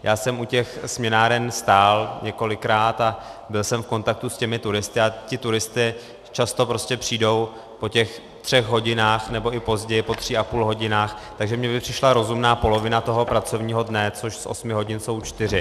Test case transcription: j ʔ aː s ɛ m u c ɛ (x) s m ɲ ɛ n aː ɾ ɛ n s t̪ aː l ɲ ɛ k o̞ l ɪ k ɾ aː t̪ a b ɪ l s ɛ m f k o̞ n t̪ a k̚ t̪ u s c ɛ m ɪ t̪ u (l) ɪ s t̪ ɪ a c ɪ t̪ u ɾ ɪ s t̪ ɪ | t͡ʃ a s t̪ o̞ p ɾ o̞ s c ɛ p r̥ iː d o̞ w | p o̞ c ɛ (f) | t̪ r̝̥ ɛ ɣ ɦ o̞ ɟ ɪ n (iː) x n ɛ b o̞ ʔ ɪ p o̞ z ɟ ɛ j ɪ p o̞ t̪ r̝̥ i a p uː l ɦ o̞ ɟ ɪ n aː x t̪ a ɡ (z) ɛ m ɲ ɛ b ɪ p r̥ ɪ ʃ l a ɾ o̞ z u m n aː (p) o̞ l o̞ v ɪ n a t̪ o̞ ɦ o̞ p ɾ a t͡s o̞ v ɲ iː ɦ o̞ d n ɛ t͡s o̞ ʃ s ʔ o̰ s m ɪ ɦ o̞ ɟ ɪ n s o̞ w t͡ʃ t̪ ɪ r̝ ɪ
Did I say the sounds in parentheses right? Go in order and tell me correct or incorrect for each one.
correct, incorrect: ɾ, incorrect: x, incorrect: aː, incorrect: ʒ, correct

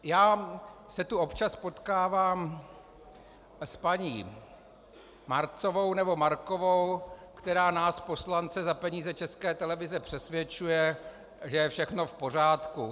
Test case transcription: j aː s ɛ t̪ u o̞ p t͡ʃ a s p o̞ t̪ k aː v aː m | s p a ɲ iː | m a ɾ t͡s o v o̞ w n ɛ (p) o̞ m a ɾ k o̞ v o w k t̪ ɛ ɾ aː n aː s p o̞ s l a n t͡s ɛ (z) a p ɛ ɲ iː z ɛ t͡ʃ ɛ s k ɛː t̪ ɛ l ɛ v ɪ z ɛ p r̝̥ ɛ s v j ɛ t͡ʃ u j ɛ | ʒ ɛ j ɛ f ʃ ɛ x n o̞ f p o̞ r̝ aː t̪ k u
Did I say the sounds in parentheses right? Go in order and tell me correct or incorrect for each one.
incorrect: b, correct

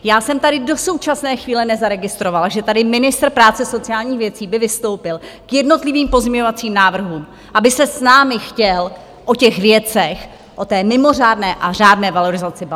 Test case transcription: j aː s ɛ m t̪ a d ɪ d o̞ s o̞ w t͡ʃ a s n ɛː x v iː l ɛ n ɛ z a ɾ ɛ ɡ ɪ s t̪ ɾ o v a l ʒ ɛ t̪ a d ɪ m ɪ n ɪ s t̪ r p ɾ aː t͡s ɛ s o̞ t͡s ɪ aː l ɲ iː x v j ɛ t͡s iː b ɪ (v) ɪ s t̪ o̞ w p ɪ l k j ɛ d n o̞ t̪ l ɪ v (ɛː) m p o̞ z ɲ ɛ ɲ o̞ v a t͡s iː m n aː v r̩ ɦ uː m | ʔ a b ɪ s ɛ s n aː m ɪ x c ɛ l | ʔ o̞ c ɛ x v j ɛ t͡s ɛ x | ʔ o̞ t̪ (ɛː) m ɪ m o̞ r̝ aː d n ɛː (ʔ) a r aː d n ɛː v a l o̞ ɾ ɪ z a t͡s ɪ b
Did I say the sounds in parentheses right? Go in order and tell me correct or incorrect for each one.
correct, incorrect: iː, correct, correct

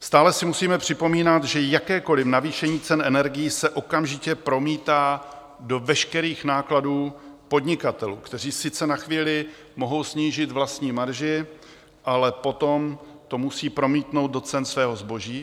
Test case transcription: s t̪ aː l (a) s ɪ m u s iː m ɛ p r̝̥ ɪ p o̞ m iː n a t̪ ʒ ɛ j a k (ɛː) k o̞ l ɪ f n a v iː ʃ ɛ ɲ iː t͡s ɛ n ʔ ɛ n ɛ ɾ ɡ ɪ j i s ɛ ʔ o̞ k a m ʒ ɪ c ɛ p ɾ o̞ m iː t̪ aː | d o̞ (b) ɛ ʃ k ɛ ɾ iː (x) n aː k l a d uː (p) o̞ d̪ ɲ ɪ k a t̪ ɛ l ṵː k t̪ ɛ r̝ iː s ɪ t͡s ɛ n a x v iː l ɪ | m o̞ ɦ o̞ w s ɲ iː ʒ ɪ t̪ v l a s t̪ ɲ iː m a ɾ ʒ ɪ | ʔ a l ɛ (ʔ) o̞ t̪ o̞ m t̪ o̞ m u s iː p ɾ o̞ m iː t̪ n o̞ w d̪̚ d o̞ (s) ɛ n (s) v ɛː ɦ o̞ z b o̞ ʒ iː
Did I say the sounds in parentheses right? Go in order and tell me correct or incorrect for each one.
incorrect: ɛ, correct, incorrect: v, correct, correct, incorrect: p, incorrect: t͡s, correct

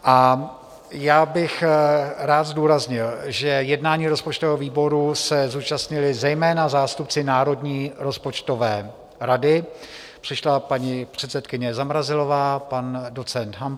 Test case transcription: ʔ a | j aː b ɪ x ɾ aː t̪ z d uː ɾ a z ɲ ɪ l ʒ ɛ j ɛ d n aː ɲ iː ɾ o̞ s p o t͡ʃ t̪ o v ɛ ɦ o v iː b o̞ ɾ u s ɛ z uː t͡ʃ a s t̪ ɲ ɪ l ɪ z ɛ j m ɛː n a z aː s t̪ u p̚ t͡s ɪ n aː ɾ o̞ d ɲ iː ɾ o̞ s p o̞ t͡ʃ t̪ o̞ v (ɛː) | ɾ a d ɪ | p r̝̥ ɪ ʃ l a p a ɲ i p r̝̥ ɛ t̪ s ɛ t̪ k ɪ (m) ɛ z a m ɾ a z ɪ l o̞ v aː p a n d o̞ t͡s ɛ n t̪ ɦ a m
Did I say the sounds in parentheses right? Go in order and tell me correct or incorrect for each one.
correct, incorrect: ɲ

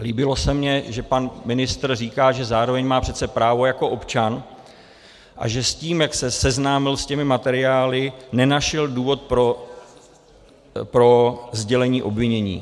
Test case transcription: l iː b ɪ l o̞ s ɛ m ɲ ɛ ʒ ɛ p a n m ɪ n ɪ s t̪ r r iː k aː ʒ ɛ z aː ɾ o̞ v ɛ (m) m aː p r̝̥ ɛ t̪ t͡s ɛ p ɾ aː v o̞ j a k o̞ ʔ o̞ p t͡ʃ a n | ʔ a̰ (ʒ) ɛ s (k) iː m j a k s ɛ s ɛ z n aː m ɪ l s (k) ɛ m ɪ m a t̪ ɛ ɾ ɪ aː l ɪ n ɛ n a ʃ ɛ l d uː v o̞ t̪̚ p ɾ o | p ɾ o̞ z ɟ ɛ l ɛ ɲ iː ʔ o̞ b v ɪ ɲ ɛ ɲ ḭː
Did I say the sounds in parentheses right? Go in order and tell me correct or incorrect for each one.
incorrect: ɲ, correct, incorrect: c, incorrect: c

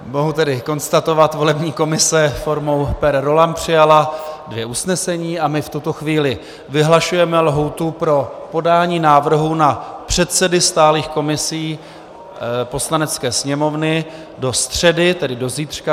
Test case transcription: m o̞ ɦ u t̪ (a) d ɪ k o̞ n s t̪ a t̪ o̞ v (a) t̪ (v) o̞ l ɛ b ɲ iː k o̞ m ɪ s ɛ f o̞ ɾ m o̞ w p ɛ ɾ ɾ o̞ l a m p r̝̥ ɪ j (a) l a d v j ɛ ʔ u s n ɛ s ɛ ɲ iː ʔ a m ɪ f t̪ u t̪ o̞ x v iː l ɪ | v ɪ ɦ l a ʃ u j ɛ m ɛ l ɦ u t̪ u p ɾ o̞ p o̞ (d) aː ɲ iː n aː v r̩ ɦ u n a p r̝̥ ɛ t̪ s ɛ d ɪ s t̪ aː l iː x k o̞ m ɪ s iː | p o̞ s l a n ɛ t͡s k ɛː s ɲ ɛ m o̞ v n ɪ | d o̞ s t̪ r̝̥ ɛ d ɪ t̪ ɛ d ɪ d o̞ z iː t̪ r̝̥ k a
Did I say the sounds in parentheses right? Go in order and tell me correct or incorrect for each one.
incorrect: ɛ, correct, correct, correct, correct

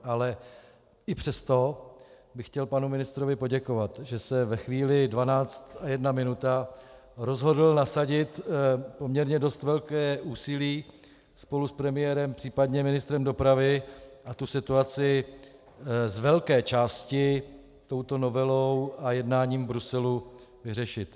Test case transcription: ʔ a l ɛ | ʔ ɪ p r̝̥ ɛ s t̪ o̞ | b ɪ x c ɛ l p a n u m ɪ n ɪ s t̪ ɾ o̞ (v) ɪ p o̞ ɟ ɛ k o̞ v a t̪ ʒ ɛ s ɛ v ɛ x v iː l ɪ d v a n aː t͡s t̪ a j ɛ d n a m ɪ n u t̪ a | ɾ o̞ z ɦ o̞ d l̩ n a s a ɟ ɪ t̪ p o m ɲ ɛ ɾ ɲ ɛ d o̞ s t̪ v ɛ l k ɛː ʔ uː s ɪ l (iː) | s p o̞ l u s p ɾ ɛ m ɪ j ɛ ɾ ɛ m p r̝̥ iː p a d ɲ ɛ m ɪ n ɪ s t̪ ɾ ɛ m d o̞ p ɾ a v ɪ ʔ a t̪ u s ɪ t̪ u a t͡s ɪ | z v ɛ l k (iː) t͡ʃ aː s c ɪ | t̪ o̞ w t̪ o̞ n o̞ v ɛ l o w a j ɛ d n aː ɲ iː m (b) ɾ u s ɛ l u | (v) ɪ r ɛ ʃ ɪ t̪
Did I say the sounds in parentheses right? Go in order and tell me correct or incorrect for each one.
correct, correct, incorrect: ɛː, correct, correct

